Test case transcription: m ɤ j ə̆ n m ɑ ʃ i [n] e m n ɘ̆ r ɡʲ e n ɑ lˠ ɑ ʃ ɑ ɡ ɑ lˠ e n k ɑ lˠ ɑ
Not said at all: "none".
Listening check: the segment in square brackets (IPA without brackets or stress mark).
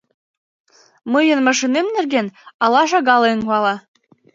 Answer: n